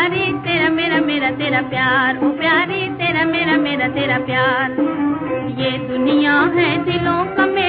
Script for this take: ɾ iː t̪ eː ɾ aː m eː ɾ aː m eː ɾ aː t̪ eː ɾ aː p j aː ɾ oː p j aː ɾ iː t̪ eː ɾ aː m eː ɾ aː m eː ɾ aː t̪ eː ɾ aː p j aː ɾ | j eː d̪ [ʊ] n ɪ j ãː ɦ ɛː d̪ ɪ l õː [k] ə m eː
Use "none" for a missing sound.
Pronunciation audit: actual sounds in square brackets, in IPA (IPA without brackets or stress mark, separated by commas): ʊ, k